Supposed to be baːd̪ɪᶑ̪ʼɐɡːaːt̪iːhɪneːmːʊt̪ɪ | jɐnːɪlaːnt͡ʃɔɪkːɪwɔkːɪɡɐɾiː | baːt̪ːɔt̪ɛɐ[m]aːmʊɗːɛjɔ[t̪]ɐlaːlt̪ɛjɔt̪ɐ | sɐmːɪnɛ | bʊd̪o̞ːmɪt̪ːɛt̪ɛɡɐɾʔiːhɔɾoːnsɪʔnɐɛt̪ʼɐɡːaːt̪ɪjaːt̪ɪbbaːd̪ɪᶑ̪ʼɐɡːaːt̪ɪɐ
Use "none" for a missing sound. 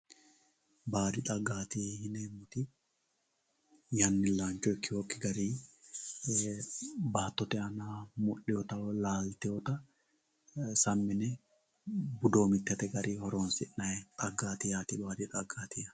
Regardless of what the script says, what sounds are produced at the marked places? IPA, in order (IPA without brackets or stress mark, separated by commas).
n, t̪